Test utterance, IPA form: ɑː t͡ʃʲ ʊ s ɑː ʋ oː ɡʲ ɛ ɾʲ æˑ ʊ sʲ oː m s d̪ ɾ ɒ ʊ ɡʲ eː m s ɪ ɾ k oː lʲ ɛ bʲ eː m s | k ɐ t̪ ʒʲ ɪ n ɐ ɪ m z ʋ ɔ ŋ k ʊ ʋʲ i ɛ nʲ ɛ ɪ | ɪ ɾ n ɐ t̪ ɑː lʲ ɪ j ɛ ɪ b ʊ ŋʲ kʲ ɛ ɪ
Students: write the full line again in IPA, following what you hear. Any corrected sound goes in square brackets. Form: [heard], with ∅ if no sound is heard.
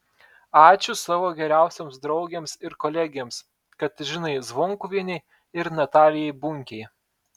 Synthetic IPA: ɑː t͡ʃʲ ʊ s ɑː ʋ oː ɡʲ ɛ ɾʲ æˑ ʊ sʲ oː m s d̪ ɾ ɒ ʊ ɡʲ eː m s ɪ ɾ k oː lʲ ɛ [ɡʲ] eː m s | k ɐ t̪ ʒʲ ɪ n ɐ ɪ [∅] z ʋ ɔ ŋ k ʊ ʋʲ i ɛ nʲ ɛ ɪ | ɪ ɾ n ɐ t̪ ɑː lʲ ɪ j ɛ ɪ b ʊ ŋʲ kʲ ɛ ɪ

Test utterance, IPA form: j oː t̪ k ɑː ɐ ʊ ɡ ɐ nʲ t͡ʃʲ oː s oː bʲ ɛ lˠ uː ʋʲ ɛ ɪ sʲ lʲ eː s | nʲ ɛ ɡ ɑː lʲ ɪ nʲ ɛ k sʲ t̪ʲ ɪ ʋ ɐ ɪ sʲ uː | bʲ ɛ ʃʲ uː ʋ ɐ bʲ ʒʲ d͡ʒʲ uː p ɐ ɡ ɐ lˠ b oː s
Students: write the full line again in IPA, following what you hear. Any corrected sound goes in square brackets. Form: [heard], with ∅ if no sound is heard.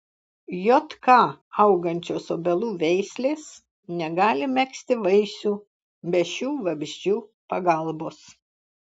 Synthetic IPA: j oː t̪ k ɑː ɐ ʊ ɡ ɐ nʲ t͡ʃʲ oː s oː bʲ ɛ lˠ uː ʋʲ ɛ ɪ sʲ lʲ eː s | nʲ ɛ ɡ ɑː lʲ ɪ [mʲ] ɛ k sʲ t̪ʲ ɪ ʋ ɐ ɪ sʲ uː | bʲ ɛ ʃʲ uː ʋ ɐ bʲ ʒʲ d͡ʒʲ uː p ɐ ɡ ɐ lˠ b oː s

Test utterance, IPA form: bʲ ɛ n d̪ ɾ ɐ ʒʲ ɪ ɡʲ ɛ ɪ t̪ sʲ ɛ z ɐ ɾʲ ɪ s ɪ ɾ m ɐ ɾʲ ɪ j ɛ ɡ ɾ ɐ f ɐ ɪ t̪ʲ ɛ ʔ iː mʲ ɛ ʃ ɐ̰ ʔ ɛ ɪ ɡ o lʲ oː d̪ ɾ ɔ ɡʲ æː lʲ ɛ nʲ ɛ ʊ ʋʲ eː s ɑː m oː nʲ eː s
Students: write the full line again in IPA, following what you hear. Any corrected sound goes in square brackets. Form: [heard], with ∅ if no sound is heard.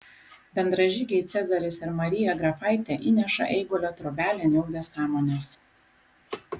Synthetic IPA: bʲ ɛ n d̪ ɾ ɐ ʒʲ ɪ ɡʲ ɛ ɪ t̪ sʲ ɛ z ɐ ɾʲ ɪ s ɪ ɾ m ɐ ɾʲ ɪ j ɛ ɡ ɾ ɐ f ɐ ɪ t̪ʲ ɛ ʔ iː [nʲ] ɛ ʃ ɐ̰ ʔ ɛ ɪ ɡ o lʲ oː [t̪] ɾ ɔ [bʲ] æː lʲ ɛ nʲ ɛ ʊ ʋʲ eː s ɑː m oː nʲ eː s

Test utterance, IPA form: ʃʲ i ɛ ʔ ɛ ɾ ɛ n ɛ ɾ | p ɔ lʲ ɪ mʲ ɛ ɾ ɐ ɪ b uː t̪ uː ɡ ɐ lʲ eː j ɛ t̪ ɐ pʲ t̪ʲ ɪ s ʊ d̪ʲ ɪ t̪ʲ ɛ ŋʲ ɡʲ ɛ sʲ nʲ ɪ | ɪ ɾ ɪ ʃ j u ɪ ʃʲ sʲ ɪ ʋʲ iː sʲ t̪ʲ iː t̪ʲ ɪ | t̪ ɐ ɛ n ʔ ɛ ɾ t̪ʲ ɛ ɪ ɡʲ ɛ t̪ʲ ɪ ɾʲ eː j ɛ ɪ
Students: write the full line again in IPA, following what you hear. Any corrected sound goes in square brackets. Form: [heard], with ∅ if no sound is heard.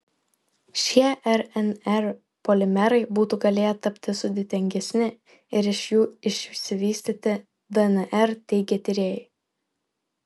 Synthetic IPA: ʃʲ i ɛ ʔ ɛ ɾ ɛ n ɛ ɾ | p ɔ lʲ ɪ mʲ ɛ ɾ ɐ ɪ b uː t̪ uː ɡ ɐ lʲ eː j ɛ t̪ ɐ pʲ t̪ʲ ɪ s ʊ d̪ʲ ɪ t̪ʲ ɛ ŋʲ ɡʲ ɛ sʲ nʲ ɪ | ɪ ɾ ɪ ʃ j [uː] ɪ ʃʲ sʲ ɪ ʋʲ iː sʲ t̪ʲ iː t̪ʲ ɪ | [d̪] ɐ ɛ n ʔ ɛ ɾ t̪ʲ ɛ ɪ ɡʲ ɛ t̪ʲ ɪ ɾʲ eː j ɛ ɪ

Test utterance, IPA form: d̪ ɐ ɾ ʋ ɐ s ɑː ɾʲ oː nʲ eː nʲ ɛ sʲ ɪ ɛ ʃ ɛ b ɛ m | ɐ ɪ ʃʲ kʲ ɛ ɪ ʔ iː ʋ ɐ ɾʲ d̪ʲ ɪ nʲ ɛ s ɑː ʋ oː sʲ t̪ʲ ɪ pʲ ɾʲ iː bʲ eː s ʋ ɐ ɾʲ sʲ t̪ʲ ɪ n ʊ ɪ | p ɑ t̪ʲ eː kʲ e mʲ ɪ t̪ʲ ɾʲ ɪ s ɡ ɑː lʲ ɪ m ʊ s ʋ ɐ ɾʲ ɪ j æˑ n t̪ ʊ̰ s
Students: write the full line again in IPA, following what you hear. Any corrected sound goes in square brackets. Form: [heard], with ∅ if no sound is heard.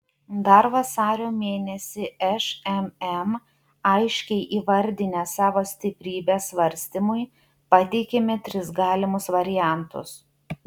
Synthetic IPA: d̪ ɐ ɾ ʋ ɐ s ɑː ɾʲ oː [mʲ] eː nʲ ɛ sʲ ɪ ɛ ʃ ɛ [m] ɛ m | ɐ ɪ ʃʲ kʲ ɛ ɪ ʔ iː ʋ ɐ ɾʲ d̪ʲ ɪ nʲ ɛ s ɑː ʋ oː sʲ t̪ʲ ɪ pʲ ɾʲ iː bʲ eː s ʋ ɐ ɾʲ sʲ t̪ʲ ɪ [m] ʊ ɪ | p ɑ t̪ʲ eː kʲ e mʲ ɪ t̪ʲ ɾʲ ɪ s ɡ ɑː lʲ ɪ m ʊ s ʋ ɐ ɾʲ ɪ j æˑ n t̪ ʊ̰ s

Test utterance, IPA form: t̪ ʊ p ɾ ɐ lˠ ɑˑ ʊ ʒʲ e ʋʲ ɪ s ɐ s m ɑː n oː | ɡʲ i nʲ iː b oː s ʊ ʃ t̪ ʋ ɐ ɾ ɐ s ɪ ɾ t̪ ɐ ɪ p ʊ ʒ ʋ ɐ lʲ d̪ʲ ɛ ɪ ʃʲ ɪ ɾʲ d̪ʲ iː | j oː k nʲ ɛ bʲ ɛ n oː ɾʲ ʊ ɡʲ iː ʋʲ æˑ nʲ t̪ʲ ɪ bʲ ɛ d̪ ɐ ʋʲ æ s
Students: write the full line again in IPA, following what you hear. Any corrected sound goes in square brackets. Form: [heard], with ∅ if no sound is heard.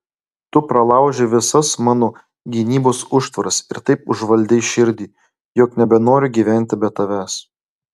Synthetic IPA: t̪ ʊ p ɾ ɐ lˠ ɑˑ ʊ ʒʲ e ʋʲ ɪ s ɐ s m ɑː n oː | ɡʲ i nʲ iː b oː s ʊ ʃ t̪ ʋ ɐ ɾ ɐ s ɪ ɾ t̪ ɐ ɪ p ʊ ʒ ʋ ɐ lʲ d̪ʲ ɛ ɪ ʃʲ ɪ ɾʲ d̪ʲ iː | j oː k nʲ ɛ bʲ ɛ n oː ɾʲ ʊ ɡʲ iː ʋʲ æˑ nʲ t̪ʲ ɪ bʲ ɛ [t̪] ɐ ʋʲ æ s

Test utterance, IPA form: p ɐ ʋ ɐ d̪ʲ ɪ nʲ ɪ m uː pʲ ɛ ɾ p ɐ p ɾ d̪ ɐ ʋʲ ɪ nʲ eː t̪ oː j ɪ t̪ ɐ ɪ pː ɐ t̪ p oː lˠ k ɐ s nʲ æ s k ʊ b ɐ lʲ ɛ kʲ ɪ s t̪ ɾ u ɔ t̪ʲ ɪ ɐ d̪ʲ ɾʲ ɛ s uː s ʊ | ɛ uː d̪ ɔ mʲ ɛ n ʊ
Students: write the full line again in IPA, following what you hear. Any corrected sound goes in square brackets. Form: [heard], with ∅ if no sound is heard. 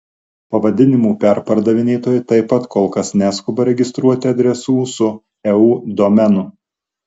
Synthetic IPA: p ɐ ʋ ɐ d̪ʲ ɪ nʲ ɪ m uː pʲ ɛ ɾ p ɐ [∅] ɾ d̪ ɐ ʋʲ ɪ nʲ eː t̪ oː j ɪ t̪ ɐ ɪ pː ɐ t̪ [k] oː lˠ k ɐ s nʲ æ s k ʊ b ɐ [ɾʲ] ɛ [ɡʲ] ɪ s t̪ ɾ u ɔ t̪ʲ ɪ ɐ d̪ʲ ɾʲ ɛ s uː s ʊ | ɛ uː d̪ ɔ mʲ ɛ n ʊ

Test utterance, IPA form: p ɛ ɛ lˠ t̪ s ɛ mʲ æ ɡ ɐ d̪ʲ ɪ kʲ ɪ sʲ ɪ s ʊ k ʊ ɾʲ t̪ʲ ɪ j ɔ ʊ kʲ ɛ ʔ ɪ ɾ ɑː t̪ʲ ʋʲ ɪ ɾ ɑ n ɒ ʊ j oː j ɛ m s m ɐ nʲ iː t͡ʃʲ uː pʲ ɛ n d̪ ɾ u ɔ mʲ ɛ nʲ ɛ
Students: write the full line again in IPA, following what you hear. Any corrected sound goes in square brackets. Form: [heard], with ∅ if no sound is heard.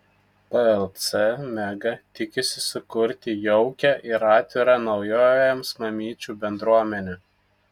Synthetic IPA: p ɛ ɛ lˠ t̪ s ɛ mʲ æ ɡ ɐ [t̪ʲ] ɪ kʲ ɪ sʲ ɪ s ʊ k ʊ ɾʲ t̪ʲ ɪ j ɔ ʊ kʲ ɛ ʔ ɪ ɾ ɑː t̪ʲ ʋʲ ɪ ɾ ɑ n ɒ ʊ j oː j ɛ m s m ɐ [mʲ] iː t͡ʃʲ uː [bʲ] ɛ n d̪ ɾ u ɔ mʲ ɛ nʲ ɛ

